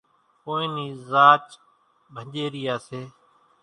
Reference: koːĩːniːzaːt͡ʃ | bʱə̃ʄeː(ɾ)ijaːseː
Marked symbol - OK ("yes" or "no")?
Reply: yes